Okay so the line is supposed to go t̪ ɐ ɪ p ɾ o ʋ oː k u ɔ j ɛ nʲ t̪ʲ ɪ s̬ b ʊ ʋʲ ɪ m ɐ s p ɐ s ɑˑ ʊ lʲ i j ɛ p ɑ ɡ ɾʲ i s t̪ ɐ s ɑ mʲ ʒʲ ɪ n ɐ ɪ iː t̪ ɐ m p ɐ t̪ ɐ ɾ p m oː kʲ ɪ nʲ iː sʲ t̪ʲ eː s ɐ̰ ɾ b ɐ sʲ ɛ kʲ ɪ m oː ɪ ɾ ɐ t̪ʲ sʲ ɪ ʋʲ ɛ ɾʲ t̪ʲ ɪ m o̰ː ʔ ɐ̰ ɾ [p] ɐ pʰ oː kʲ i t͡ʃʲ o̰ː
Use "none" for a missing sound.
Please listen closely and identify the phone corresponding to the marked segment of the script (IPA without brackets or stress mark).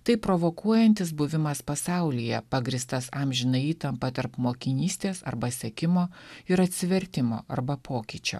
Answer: b